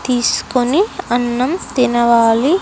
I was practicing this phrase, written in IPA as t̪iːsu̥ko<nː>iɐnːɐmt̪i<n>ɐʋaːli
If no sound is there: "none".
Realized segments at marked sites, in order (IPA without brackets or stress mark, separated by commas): n, n